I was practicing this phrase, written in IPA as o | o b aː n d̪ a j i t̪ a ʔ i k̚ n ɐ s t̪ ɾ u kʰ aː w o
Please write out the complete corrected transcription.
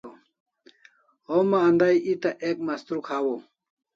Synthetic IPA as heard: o | o m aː n d̪ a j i t̪ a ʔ e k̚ m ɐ s t̪ ɾ u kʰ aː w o